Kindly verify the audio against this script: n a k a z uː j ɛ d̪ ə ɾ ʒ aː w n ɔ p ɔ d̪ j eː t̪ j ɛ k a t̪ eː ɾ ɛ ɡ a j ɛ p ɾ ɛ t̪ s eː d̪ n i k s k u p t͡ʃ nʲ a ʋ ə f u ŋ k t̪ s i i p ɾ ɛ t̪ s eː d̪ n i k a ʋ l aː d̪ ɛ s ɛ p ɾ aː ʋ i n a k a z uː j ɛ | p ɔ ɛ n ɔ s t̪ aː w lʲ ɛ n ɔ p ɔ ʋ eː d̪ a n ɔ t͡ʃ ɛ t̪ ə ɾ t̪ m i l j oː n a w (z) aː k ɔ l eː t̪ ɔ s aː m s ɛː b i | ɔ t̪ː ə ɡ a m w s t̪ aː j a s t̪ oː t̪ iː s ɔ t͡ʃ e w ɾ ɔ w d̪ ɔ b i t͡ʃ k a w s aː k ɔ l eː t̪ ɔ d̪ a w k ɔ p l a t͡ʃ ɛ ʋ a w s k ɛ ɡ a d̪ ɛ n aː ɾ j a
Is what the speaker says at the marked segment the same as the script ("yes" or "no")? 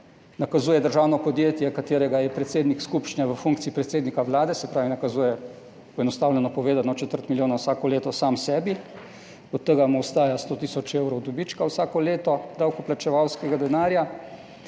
no